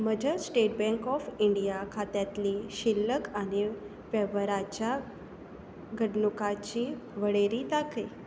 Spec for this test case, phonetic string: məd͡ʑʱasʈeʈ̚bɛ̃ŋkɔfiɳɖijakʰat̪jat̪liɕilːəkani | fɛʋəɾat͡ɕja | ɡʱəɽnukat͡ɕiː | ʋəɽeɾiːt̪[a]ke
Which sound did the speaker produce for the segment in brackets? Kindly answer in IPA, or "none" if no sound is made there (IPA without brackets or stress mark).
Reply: a